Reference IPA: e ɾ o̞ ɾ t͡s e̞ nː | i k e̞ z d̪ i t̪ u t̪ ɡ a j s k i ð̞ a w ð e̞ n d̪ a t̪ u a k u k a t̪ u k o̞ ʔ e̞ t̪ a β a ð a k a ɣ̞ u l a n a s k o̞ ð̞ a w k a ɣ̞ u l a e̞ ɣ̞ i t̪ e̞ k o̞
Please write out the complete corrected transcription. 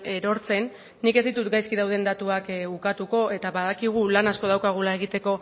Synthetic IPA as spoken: e ɾ o̞ ɾ t͡s e̞ nː | i k e̞ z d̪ i t̪ u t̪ ɡ a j s k i ð̞ a w ð e̞ n d̪ a t̪ u a k u k a t̪ u k o̞ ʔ e̞ t̪ a β a ð a k i ɣ̞ u l a n a s k o̞ ð̞ a w k a ɣ̞ u l a e̞ ɣ̞ i t̪ e̞ k o̞

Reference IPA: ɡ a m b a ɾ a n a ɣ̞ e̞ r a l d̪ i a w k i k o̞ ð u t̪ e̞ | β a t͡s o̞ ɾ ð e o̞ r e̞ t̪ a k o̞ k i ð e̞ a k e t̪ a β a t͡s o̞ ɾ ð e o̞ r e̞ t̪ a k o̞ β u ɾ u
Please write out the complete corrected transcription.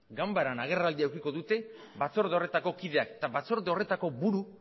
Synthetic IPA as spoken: ɡ a m b a ɾ a n a ɣ̞ e̞ r a l d̪ i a w k i k o̞ ð u t̪ e̞ | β a t͡s o̞ ɾ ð e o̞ r e̞ t̪ a k o̞ k i ð e̞ a k e t̪ a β a t͡s o̞ ɾ ð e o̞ r e̞ t̪ a k o̞ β u ɾ u

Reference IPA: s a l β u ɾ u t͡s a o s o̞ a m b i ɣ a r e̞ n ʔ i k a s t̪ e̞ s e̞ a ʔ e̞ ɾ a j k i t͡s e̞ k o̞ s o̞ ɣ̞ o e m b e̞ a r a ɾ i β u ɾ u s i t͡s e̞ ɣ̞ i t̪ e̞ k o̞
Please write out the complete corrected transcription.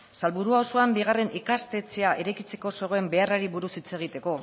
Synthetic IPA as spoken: s a l β u ɾ u a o s o̞ a m b i ɣ a r e̞ n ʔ i k a s t̪ e̞ t͡s e̞ a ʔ e̞ ɾ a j k i t͡s e̞ k o̞ s o̞ ɣ̞ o e m b e̞ a r a ɾ i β u ɾ u s i t͡s e̞ ɣ̞ i t̪ e̞ k o̞

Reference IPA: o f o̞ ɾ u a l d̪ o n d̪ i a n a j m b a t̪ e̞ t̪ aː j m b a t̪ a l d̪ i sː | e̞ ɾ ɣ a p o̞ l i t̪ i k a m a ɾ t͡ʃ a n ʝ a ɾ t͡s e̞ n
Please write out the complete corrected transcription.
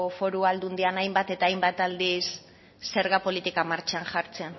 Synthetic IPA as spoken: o f o̞ ɾ u a l d̪ u n d̪ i a n a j m b a t̪ e̞ t̪ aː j m b a t̪ a l d̪ i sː | e̞ ɾ ɣ a p o̞ l i t̪ i k a m a ɾ t͡ʃ a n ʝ a ɾ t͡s e̞ n

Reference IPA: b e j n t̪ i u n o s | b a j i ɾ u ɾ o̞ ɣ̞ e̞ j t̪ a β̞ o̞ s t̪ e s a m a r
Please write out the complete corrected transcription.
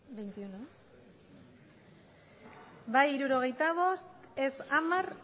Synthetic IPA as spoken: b e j n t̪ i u n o s | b a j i ɾ u ɾ o̞ ɣ̞ e̞ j t̪ a β̞ o̞ s t̪ e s a m a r

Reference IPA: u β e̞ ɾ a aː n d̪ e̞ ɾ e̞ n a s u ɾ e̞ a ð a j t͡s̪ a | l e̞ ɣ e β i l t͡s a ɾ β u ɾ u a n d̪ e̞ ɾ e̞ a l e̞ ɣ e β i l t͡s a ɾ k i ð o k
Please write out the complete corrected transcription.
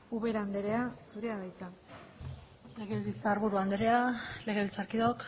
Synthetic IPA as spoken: u β e̞ ɾ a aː n d̪ e̞ ɾ e̞ a s u ɾ e̞ a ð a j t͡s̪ a | l e̞ ɣ e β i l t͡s a ɾ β u ɾ u a n d̪ e̞ ɾ e̞ a l e̞ ɣ e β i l t͡s a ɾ k i ð o k

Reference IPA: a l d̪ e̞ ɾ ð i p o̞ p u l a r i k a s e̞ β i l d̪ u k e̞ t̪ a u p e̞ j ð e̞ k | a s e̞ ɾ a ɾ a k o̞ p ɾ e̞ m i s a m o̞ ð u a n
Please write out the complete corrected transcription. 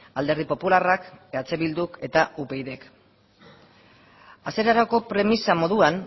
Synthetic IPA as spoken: a l d̪ e̞ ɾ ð i p o̞ p u l a r a k a t͡s e̞ β i l d̪ u k e̞ t̪ a u p e̞ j ð e̞ k | a s e̞ ɾ a ɾ a k o̞ p ɾ e̞ m i s a m o̞ ð u a n

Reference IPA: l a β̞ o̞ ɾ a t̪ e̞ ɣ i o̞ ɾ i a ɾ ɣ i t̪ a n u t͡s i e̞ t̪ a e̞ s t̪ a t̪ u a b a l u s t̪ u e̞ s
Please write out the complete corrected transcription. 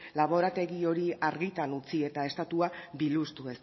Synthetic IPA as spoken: l a β̞ o̞ ɾ a t̪ e̞ ɣ i o̞ ɾ i a ɾ ɣ i t̪ a n u t͡s i e̞ t̪ a e̞ s t̪ a t̪ u a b i l u s t̪ u e̞ s

